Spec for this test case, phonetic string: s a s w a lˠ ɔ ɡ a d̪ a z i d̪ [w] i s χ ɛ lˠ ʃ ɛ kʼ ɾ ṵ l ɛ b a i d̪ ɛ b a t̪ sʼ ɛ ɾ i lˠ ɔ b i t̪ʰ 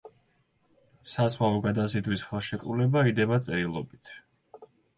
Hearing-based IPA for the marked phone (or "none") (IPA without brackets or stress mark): w